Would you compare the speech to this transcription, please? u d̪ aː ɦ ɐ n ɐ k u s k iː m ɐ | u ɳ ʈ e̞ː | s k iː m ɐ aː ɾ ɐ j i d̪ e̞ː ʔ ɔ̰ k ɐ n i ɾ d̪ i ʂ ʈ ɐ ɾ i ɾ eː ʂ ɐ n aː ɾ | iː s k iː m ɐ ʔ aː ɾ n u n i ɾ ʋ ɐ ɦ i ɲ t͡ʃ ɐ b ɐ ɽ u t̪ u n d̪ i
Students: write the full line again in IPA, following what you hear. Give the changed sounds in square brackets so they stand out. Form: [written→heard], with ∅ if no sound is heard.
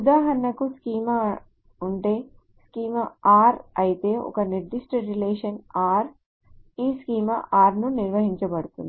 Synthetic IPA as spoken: u d̪ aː ɦ ɐ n ɐ k u s k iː m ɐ | u ɳ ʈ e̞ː | s k iː m ɐ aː ɾ ɐ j i [d̪→t̪] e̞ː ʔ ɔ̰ k ɐ n i ɾ d̪ i ʂ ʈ ɐ ɾ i [ɾ→l] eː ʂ ɐ n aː ɾ | iː s k iː m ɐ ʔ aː ɾ n u n i ɾ ʋ ɐ ɦ i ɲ t͡ʃ ɐ b ɐ ɽ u t̪ u n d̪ i